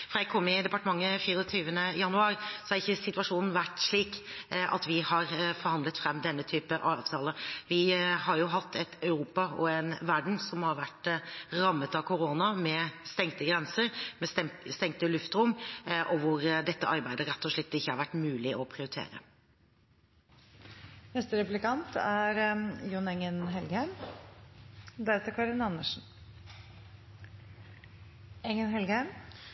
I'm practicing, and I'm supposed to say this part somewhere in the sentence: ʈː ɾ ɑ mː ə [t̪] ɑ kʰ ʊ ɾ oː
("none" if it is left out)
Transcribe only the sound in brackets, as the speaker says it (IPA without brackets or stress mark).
t̪